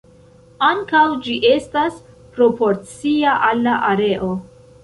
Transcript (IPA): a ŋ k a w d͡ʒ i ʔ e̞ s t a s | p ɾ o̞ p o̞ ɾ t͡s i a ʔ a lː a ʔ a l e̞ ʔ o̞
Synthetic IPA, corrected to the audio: a ŋ k a w d͡ʒ i ʔ e̞ s t a s | p ɾ o̞ p o̞ ɾ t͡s i a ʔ a lː a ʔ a ɾ e̞ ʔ o̞